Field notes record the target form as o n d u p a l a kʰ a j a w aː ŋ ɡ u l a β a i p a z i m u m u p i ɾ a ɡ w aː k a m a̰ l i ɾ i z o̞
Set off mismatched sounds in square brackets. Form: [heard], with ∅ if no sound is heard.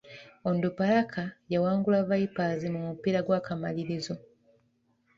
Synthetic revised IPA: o n d u p a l a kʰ a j a w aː ŋ ɡ u l a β a i p a z i m u m u p i ɾ a ɡ w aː k a m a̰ l i ɾ i z o̞